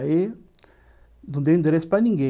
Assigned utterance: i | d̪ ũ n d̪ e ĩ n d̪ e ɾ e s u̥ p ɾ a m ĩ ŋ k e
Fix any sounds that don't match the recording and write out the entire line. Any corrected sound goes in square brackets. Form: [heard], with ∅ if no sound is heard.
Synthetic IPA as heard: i | d̪ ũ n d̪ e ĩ n d̪ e ɾ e s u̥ p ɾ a [n] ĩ ŋ [ɡ] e